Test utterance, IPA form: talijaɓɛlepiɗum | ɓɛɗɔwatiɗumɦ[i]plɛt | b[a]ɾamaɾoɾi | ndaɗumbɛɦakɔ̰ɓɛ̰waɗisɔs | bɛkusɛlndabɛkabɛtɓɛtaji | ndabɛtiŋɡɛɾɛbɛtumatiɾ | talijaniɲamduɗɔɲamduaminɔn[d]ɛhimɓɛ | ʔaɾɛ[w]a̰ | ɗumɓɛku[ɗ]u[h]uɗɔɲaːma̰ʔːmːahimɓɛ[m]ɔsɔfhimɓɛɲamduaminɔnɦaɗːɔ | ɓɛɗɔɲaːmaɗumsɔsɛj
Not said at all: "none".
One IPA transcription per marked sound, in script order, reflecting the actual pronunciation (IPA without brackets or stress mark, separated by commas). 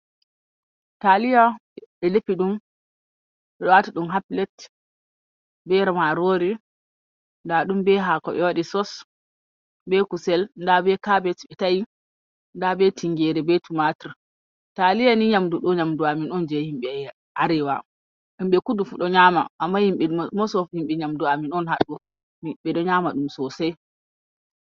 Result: a, ɛ, d͡ʒ, w, d, f, m